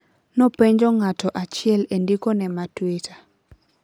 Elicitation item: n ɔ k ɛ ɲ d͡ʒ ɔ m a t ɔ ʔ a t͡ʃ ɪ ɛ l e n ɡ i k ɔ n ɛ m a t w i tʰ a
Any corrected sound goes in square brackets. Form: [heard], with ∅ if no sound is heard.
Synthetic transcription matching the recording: n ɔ [p] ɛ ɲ d͡ʒ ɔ [ŋ] a t ɔ ʔ a t͡ʃ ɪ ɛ l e n [d] i k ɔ n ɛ m a t w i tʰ a